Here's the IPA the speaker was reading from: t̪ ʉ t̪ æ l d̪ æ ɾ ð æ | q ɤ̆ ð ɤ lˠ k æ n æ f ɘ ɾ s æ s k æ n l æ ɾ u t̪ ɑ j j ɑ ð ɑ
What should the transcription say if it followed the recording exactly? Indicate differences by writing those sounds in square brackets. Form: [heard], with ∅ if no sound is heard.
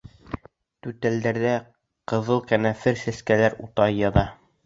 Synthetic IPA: t̪ ʉ t̪ æ l d̪ æ ɾ ð æ | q ɤ̆ ð ɤ lˠ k æ n æ f ɘ ɾ s æ s k æ [∅] l æ ɾ u t̪ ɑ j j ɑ ð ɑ